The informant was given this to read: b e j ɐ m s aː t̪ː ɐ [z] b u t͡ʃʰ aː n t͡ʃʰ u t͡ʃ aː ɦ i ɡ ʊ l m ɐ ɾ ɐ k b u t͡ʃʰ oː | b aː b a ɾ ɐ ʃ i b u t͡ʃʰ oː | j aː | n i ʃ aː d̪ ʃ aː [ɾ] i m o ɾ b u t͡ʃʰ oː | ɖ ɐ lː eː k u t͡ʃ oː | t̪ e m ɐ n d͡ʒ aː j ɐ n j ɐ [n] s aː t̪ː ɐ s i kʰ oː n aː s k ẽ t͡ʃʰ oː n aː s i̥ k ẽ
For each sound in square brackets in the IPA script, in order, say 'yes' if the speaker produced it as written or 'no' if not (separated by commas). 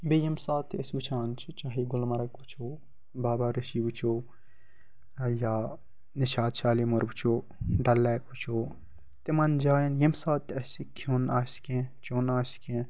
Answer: no, no, no